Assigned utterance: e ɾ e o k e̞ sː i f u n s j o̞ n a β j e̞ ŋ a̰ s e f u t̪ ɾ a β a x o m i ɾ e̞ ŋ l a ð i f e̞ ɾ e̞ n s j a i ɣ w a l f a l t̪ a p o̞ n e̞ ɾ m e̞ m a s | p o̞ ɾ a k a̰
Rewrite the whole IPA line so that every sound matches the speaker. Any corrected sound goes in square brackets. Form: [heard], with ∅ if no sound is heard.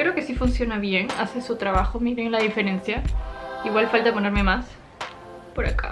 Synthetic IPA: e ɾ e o k e̞ [s] i f u n s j o̞ n a β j e̞ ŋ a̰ s e [s] u t̪ ɾ a β a x o m i ɾ e̞ ŋ l a ð i f e̞ ɾ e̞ n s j a i ɣ w a l f a l t̪ a p o̞ n e̞ ɾ m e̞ m a s | p o̞ ɾ a k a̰